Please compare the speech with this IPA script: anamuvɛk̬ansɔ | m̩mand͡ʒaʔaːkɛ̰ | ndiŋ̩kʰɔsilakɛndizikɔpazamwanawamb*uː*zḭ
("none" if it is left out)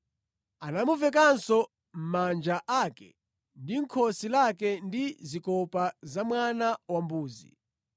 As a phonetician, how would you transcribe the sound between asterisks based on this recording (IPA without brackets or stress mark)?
uː